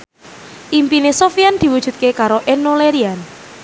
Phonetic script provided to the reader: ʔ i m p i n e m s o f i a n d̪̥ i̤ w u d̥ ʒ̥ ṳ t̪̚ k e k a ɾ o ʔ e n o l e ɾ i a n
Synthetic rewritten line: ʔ i m p i n e s o f i a n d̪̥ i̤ w u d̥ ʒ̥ ṳ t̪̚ k e k a ɾ o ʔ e n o l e ɾ i a n